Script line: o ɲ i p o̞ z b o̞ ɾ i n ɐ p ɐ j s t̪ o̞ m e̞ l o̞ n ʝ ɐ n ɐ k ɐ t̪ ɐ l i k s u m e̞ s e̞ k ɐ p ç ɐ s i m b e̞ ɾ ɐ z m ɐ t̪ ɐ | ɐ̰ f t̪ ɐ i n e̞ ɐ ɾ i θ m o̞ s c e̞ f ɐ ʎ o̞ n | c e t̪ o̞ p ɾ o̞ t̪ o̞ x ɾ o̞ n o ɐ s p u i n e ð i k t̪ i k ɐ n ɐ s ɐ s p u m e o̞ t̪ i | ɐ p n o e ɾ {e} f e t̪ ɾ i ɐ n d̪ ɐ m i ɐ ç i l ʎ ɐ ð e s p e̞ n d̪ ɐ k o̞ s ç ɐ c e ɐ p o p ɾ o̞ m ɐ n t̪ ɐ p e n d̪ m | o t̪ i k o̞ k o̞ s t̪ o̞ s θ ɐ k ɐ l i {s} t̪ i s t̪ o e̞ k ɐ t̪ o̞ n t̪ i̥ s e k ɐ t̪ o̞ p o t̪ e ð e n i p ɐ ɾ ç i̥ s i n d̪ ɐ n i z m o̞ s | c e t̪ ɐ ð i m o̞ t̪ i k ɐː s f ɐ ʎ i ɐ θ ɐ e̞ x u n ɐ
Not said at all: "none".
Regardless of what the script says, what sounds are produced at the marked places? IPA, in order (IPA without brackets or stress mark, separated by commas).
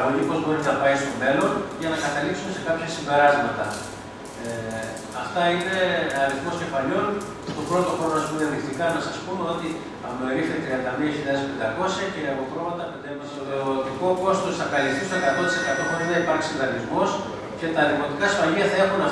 i, s